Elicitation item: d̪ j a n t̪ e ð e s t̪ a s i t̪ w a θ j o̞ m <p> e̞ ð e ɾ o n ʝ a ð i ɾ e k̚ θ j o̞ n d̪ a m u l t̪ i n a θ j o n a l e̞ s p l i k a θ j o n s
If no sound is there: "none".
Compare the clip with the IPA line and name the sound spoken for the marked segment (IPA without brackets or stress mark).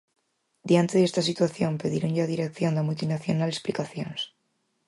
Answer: p